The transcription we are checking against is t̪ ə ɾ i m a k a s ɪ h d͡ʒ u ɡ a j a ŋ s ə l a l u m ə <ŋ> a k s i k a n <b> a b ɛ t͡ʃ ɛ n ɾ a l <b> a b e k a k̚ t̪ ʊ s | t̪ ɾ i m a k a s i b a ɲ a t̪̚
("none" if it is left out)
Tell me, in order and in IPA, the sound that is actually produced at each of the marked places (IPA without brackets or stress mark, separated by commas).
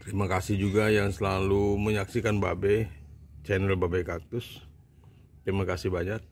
ɲ, b, b